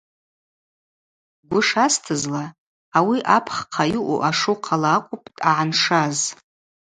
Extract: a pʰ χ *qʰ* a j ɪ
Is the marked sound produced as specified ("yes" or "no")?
yes